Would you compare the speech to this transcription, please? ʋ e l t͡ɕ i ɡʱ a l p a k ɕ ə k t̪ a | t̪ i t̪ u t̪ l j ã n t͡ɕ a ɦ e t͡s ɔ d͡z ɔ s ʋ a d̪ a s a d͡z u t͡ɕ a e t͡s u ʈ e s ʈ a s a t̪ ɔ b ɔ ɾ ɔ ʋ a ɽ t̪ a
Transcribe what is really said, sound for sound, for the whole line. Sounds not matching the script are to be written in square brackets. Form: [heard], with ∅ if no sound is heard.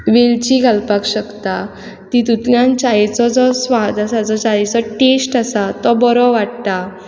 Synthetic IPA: ʋ e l t͡ɕ i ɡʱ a l p a k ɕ ə k t̪ a | t̪ i t̪ u t̪ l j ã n t͡ɕ a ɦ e t͡s ɔ d͡z ɔ s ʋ a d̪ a s a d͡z [ɔ] t͡ɕ a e t͡s [ɔ] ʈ e s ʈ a s a t̪ ɔ b ɔ ɾ ɔ ʋ a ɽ t̪ a